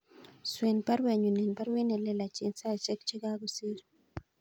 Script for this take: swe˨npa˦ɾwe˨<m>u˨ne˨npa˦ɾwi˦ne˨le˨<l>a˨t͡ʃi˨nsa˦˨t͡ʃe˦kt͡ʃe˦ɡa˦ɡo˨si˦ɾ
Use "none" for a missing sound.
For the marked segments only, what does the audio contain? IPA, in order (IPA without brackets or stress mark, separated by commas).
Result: ɲ, l